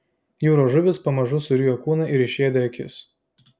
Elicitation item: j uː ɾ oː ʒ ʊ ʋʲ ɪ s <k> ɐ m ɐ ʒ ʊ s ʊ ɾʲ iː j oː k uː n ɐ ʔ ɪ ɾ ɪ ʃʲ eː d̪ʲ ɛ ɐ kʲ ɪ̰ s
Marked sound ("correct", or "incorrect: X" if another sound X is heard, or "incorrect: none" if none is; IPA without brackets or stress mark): incorrect: p